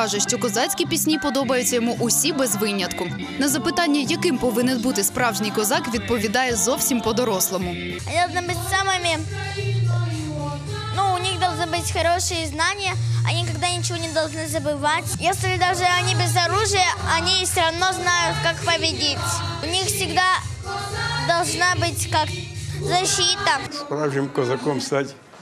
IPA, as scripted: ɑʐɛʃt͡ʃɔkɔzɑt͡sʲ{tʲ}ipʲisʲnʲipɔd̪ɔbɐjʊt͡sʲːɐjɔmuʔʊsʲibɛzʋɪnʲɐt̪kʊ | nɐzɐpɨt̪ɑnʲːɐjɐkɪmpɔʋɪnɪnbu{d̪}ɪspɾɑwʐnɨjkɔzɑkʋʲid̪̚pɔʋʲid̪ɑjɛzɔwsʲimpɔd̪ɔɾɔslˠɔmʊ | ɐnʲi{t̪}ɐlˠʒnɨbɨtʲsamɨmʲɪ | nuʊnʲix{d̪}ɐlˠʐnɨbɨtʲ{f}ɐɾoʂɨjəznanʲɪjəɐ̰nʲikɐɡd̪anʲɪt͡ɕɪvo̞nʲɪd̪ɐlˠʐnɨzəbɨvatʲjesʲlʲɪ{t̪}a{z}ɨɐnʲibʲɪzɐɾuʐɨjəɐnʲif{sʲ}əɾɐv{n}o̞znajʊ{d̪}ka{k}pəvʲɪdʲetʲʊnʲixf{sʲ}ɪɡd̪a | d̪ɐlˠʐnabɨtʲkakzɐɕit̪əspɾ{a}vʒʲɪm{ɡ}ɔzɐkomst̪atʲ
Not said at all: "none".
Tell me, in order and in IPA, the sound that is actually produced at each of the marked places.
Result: kʲ, t̪, d̪, d̪, x, d̪, ʐ, sʲ, n, t̪, k, sʲ, a, k

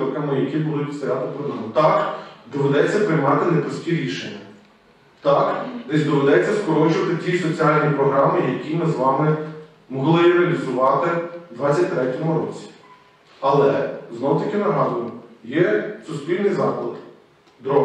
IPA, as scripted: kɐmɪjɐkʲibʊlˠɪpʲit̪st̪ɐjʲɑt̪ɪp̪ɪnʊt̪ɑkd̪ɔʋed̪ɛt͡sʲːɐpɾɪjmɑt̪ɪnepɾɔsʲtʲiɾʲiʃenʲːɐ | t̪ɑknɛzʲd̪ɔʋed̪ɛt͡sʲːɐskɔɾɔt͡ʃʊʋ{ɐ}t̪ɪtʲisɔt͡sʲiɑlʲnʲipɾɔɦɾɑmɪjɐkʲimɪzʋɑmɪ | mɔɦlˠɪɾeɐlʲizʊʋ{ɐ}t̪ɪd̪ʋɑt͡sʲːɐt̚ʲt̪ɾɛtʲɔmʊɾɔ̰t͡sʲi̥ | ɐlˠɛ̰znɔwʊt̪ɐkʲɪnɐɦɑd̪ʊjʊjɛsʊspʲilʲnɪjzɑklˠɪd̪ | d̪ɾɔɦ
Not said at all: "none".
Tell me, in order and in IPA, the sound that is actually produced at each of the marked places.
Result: ɐ, ɑ

